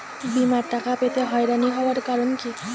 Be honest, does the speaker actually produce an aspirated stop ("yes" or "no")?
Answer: no